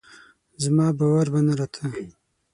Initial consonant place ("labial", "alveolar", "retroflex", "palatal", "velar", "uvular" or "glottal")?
alveolar